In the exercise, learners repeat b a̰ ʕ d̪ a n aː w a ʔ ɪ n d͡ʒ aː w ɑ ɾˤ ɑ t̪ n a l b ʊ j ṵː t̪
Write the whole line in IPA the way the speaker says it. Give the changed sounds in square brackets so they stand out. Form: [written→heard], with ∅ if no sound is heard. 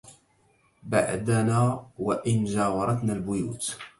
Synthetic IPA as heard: b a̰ ʕ d̪ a n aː w a ʔ ɪ n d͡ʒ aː w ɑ ɾˤ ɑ t̪ n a l b ʊ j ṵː t̪